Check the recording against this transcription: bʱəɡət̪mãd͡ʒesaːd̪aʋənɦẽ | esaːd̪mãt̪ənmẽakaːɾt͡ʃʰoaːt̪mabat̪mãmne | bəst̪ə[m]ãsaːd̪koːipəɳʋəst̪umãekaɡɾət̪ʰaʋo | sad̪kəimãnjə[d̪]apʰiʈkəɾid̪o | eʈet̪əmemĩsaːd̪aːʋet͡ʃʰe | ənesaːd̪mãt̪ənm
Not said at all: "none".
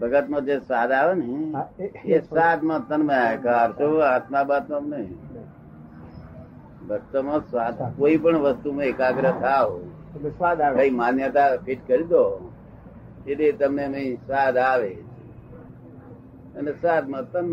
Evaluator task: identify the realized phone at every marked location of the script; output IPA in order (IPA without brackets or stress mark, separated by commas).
m, t̪